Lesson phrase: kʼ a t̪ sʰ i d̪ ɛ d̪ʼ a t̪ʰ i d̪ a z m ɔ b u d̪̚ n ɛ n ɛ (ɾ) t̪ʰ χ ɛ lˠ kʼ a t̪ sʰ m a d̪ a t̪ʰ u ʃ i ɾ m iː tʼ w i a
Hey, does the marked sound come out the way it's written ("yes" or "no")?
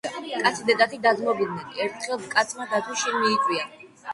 yes